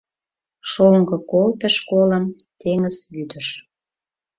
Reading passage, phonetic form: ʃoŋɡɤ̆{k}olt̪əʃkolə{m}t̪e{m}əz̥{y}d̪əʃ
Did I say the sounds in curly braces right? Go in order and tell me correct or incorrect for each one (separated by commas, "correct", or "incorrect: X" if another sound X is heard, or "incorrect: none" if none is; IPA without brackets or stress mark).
correct, correct, incorrect: ŋ, correct